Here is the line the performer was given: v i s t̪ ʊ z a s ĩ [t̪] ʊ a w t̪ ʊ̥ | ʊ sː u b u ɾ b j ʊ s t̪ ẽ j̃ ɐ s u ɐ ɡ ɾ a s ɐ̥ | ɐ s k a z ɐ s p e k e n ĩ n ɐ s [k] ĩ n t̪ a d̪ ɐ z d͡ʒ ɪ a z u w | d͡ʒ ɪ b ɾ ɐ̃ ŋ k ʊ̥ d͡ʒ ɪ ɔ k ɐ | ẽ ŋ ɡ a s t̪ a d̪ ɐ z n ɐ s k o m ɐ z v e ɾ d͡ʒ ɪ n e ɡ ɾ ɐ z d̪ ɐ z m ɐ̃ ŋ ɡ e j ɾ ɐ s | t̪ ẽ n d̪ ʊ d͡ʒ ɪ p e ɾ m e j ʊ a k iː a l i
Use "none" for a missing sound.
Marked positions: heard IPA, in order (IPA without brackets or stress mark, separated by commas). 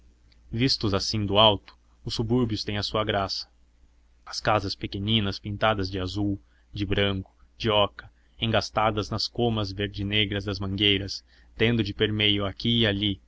d̪, p